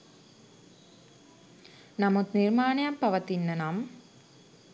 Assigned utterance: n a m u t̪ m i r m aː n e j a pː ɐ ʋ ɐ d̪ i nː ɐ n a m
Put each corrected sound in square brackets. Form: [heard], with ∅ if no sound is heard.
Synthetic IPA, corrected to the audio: n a m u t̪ [n] i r m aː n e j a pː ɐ ʋ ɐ [t̪] i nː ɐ n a m